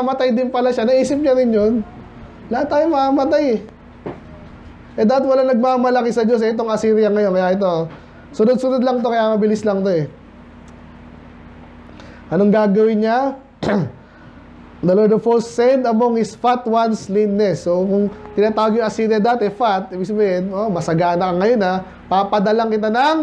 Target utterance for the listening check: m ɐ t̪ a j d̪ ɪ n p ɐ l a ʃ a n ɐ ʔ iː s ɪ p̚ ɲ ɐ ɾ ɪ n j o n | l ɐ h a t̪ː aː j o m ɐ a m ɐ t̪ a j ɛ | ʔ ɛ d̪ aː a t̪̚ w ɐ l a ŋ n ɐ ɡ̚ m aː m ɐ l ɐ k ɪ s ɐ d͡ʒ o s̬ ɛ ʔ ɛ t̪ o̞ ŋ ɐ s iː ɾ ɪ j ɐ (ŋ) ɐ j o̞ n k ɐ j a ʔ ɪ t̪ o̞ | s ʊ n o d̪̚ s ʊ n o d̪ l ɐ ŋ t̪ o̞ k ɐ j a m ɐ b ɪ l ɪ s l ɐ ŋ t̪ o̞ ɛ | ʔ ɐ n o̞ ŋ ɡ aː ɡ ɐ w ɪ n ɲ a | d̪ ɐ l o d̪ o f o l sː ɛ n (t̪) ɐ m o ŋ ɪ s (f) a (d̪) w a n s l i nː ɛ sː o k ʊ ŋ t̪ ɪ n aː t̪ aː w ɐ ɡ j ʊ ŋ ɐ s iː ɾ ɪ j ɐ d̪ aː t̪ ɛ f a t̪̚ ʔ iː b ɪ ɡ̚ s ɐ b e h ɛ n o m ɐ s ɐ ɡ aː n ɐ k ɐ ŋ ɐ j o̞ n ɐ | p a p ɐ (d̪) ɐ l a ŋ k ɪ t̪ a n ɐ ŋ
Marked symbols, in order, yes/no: yes, no, yes, no, yes

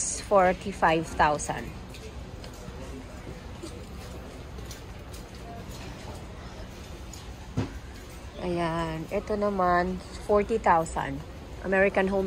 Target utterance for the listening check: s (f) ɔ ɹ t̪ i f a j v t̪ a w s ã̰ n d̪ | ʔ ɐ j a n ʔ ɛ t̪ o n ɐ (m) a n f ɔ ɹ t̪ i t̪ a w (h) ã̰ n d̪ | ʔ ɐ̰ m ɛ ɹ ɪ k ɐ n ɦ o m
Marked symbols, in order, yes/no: yes, yes, no

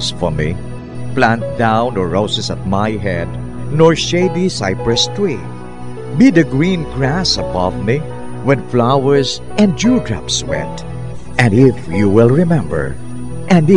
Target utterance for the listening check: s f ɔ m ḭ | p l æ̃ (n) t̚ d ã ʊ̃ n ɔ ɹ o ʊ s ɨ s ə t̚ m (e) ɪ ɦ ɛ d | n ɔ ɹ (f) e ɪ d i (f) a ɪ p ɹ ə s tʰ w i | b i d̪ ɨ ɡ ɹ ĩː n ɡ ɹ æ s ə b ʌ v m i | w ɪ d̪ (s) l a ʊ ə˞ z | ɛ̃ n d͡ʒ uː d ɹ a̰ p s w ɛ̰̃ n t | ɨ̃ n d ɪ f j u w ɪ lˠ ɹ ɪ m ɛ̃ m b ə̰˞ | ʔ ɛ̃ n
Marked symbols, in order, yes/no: yes, no, no, no, no

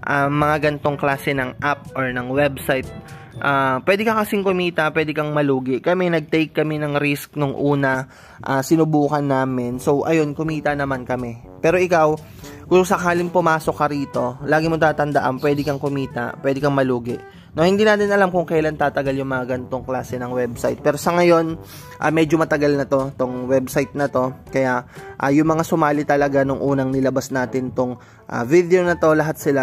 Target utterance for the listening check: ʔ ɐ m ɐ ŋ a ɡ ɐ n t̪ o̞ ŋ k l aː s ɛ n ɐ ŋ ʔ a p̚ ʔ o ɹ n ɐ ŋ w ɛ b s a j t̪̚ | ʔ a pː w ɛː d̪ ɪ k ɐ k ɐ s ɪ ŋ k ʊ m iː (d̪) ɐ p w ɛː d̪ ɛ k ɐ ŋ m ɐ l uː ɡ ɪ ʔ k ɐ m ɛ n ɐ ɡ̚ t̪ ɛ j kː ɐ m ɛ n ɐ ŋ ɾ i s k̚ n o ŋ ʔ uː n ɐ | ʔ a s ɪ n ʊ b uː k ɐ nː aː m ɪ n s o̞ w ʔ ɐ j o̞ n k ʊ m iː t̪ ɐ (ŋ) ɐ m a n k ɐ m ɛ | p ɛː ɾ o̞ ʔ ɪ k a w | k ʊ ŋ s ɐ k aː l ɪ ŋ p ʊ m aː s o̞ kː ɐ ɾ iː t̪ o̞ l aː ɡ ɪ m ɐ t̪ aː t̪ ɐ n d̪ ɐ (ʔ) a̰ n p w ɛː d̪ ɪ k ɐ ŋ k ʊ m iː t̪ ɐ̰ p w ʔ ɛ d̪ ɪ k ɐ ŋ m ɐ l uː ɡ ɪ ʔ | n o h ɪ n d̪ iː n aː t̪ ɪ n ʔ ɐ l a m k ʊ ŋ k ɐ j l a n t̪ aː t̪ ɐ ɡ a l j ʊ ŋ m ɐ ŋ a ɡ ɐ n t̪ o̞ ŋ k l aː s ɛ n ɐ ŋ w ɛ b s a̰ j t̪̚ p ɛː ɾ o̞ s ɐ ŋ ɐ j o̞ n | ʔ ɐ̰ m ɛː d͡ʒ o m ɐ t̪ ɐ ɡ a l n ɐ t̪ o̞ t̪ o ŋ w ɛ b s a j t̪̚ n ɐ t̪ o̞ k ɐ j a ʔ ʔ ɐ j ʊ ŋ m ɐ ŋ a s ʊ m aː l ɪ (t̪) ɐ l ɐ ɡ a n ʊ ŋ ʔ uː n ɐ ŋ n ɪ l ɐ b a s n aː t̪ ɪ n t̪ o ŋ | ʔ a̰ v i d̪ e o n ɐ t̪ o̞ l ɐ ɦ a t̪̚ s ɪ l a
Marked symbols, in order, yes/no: no, no, yes, yes

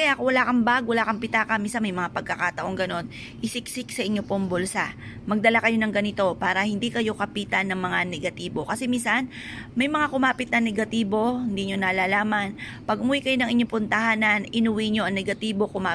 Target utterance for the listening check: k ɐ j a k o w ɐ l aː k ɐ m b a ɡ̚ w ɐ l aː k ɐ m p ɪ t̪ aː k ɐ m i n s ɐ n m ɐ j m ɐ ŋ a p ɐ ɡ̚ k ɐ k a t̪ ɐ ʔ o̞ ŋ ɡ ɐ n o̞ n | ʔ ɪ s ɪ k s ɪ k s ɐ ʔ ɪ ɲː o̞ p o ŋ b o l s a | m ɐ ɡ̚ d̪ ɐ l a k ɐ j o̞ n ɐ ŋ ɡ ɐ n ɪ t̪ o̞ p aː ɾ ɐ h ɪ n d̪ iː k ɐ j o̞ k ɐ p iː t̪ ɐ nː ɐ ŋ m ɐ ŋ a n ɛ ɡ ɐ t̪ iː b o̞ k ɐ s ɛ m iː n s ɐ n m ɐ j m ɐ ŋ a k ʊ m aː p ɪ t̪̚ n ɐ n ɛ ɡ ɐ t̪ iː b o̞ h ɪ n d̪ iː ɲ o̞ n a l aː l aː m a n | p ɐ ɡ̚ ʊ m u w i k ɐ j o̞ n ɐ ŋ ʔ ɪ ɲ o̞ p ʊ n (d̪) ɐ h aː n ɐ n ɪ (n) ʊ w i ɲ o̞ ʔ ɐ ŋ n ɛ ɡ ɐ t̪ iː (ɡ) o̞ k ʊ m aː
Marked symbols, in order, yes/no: no, yes, no

